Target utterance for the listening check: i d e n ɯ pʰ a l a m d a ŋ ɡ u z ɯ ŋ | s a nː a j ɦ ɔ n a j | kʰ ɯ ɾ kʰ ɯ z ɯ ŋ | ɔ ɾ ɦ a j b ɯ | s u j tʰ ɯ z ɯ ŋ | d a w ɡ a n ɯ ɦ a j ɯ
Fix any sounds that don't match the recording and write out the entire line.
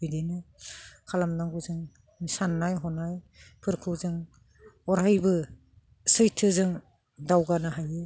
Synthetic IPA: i d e n ɯ kʰ a l a m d a ŋ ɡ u z ɯ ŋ | s a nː a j ɦ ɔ n a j | pʰ ɯ ɾ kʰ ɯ z ɯ ŋ | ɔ ɾ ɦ a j b ɯ | s ɯ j tʰ ɯ z ɯ ŋ | d a w ɡ a n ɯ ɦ a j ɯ